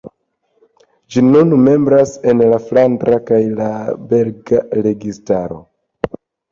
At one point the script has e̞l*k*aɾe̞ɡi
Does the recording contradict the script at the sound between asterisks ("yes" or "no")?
yes